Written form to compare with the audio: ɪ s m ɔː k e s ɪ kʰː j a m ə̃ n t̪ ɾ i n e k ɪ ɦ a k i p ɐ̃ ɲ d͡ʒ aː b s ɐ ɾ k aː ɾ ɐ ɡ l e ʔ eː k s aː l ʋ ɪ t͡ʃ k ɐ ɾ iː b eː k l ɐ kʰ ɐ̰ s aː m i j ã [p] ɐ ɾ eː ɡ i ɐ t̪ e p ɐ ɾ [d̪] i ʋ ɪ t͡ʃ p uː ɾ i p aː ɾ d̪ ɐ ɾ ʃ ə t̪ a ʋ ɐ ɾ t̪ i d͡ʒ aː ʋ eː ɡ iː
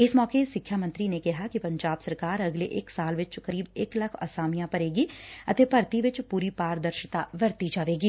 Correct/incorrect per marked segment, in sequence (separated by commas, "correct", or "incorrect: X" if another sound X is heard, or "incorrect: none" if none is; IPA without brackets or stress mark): correct, incorrect: t̪